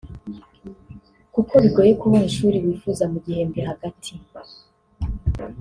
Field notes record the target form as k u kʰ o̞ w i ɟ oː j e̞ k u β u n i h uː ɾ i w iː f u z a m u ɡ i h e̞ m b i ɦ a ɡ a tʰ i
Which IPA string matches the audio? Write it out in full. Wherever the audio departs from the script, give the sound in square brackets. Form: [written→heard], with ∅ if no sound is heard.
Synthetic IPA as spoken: k u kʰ o̞ [w→β] i [ɟ→ɡ] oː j e̞ k u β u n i [h→ʃ] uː ɾ i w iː f u z a m u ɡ i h e̞ m b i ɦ a ɡ a tʰ i